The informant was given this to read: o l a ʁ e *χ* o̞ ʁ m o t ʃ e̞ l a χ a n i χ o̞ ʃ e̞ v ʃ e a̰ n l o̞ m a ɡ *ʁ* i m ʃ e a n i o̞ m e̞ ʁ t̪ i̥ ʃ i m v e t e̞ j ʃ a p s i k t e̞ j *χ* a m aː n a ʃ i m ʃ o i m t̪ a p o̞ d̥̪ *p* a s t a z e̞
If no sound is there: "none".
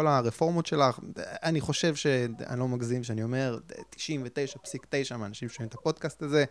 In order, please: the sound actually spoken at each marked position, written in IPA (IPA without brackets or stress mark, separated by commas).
f, z, ʃ, k